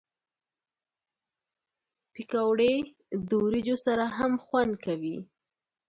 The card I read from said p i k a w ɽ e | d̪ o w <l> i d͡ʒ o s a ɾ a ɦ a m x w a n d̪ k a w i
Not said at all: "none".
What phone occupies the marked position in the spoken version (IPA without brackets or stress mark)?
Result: ɾ